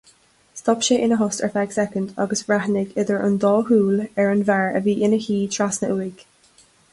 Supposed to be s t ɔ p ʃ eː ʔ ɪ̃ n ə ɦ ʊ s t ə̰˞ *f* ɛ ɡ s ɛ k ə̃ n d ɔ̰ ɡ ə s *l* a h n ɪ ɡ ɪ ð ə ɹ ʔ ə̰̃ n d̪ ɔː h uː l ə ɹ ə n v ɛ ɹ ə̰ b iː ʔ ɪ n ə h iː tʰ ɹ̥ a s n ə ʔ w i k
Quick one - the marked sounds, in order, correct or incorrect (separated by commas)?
correct, incorrect